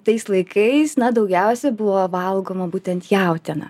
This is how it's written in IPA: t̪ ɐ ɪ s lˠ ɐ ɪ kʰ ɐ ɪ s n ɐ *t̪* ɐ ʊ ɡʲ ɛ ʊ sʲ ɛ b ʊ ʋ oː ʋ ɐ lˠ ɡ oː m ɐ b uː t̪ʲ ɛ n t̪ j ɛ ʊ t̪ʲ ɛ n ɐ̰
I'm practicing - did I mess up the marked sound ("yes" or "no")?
yes